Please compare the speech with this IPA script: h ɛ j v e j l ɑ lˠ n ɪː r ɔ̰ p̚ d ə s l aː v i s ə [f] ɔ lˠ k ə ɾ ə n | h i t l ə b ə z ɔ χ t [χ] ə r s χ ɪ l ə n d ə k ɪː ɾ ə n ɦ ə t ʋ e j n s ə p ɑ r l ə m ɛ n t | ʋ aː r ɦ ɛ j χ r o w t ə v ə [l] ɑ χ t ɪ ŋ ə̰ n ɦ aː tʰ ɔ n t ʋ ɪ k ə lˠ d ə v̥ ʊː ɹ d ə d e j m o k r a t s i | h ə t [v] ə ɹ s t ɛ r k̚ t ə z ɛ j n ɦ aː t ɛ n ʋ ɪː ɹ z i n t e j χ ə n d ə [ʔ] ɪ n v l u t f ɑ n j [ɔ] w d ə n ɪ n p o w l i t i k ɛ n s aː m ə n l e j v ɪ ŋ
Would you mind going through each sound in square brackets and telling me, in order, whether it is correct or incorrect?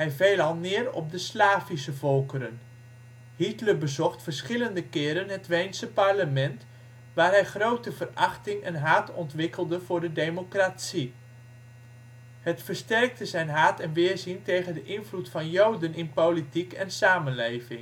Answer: incorrect, incorrect, incorrect, incorrect, correct, incorrect

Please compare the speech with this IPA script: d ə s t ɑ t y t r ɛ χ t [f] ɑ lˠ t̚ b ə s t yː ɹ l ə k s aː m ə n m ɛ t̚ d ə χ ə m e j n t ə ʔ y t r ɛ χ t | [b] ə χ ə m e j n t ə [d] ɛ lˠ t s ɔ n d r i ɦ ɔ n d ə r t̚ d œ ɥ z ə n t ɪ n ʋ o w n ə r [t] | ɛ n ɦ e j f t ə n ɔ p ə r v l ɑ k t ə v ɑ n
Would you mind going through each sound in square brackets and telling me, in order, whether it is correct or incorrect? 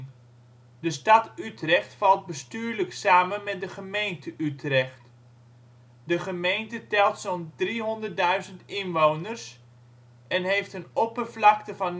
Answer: correct, incorrect, incorrect, incorrect

